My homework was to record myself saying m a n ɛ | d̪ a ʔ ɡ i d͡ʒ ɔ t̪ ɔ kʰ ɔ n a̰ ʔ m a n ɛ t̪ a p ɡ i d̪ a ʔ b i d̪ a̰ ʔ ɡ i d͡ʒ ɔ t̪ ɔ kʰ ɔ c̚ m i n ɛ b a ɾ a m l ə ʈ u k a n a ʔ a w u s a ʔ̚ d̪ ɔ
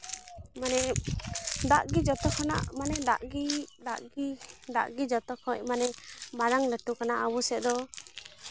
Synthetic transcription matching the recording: m a n ɛ | d̪ a ʔ ɡ i d͡ʒ ɔ t̪ ɔ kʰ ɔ n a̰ ʔ m a n ɛ d̪ a ʔ ɡ i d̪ a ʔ ɡ i d̪ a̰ ʔ ɡ i d͡ʒ ɔ t̪ ɔ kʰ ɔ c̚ m a n ɛ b a ɾ a ŋ l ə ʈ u k a n a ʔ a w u s ɛ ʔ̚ d̪ ɔ